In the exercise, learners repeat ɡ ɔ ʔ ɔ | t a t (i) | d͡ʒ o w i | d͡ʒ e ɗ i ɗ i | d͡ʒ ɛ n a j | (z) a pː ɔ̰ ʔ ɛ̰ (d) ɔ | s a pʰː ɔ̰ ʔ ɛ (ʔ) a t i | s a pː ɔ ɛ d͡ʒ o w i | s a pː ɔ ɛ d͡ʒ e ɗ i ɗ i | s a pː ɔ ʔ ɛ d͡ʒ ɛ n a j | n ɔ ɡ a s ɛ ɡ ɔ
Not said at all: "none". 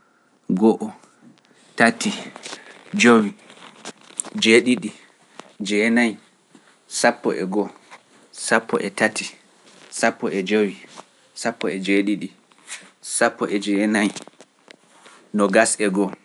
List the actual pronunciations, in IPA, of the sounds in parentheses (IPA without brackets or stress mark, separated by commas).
i, s, ɡ, t